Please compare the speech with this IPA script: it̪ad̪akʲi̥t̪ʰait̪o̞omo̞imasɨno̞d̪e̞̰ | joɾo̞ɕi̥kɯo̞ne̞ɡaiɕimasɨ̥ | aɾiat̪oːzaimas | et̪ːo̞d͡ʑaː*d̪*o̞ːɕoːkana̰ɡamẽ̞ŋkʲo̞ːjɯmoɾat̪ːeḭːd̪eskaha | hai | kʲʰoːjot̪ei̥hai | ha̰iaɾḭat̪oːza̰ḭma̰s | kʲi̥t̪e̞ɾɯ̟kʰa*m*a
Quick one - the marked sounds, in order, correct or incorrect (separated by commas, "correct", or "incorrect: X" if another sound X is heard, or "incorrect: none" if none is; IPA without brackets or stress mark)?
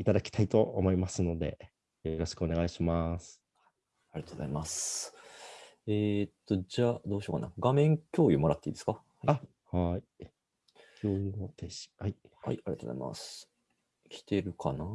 correct, incorrect: n